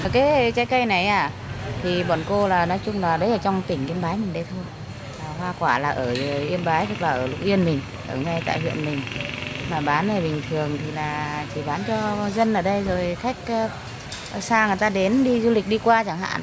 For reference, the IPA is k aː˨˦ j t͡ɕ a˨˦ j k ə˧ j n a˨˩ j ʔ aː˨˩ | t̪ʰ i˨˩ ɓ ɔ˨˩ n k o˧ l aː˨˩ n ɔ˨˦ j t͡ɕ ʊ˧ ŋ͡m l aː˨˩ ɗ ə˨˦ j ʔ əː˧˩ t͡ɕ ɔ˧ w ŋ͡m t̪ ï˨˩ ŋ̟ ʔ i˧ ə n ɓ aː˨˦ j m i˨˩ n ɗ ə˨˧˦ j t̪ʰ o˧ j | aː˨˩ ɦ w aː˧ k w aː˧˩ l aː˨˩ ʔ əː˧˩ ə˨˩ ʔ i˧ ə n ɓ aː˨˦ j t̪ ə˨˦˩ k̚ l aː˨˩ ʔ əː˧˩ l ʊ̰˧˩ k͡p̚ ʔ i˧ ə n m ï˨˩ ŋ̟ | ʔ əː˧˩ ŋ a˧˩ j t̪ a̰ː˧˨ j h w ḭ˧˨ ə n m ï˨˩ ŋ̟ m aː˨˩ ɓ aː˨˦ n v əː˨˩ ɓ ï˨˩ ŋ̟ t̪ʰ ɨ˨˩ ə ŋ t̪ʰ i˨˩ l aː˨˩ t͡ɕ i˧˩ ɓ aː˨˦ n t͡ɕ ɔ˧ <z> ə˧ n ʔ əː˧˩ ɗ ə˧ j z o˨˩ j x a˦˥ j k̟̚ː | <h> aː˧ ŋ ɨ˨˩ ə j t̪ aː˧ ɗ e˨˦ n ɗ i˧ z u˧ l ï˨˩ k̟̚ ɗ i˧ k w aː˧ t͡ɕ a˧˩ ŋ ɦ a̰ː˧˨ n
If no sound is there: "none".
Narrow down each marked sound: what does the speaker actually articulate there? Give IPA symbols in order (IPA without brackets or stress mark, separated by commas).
z, s